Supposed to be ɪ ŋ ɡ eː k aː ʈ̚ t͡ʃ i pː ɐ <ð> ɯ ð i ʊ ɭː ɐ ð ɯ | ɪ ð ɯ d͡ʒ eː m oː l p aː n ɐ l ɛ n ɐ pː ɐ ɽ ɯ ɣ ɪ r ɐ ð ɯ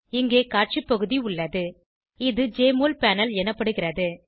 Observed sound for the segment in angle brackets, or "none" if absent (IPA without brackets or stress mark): ɣ